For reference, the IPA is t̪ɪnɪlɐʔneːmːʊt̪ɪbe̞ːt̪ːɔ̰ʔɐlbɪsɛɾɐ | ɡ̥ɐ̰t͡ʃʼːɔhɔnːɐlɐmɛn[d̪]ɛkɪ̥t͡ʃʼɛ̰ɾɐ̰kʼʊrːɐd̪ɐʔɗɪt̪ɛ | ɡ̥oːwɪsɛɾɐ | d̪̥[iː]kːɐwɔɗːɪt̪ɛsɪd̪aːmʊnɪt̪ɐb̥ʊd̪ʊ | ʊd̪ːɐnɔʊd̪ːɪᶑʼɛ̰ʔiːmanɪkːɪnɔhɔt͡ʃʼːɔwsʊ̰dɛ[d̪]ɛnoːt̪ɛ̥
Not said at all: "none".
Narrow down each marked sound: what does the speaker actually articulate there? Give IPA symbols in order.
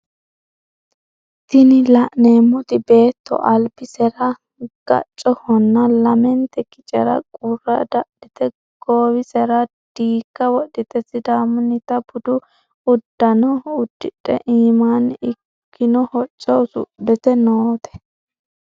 t̪, iː, t̪

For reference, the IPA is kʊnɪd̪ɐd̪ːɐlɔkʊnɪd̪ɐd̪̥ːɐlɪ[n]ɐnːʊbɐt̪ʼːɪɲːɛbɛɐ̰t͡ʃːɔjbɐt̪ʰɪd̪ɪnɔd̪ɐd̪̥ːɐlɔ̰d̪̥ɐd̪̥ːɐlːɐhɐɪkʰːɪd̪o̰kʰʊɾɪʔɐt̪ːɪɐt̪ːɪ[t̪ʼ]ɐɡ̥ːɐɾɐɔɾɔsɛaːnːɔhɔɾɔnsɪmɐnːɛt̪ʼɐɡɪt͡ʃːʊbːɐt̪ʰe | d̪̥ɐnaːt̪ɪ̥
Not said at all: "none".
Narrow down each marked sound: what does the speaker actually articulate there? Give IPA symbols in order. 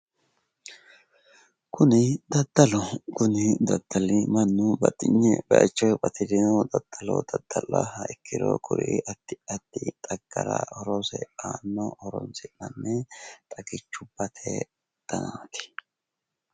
m, t̪ʼ

